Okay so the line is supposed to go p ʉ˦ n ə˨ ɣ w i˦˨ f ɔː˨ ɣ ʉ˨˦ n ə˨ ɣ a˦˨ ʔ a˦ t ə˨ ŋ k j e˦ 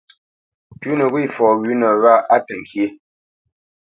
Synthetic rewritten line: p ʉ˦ n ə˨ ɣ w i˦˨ f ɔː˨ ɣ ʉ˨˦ n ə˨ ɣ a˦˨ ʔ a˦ t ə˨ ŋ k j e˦